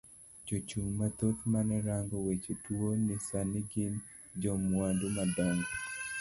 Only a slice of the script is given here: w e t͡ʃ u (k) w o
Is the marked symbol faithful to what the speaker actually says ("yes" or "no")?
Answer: no